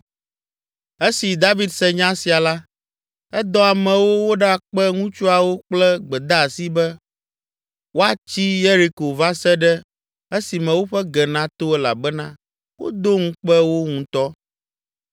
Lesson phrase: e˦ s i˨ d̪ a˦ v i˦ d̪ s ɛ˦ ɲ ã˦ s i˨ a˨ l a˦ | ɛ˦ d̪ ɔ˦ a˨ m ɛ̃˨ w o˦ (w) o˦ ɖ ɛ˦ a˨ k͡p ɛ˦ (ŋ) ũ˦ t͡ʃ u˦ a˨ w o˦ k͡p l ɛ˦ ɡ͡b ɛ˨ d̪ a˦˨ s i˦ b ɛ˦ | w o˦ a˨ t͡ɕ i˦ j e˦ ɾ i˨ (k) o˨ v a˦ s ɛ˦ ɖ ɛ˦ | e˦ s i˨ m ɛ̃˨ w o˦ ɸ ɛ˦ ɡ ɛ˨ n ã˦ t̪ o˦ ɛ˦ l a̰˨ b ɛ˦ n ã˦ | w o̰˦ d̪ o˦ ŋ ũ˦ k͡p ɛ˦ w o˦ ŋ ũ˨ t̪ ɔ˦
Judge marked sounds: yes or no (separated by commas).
yes, yes, yes